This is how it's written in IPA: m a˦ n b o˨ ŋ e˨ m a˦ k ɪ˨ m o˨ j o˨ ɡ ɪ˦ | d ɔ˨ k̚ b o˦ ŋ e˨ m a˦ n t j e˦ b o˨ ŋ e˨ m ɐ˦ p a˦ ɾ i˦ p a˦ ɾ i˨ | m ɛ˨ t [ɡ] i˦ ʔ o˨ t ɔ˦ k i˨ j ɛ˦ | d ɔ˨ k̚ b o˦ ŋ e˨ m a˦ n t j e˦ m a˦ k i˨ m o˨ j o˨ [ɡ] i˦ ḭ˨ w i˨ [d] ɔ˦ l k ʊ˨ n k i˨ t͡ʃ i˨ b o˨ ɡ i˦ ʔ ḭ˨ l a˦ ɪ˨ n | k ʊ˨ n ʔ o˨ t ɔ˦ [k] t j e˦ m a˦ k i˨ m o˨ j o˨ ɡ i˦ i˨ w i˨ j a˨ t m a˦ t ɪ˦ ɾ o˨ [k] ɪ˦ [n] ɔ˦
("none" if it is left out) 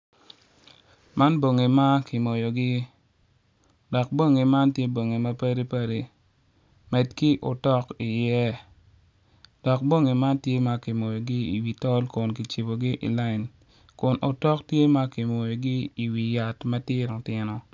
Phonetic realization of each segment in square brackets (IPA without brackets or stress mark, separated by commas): k, ɡ, t, k, t, n